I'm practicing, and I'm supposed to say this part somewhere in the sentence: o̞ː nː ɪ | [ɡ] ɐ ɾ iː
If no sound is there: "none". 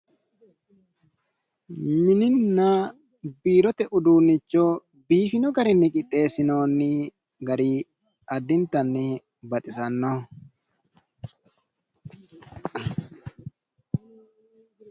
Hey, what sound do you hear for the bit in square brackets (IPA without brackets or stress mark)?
ɡ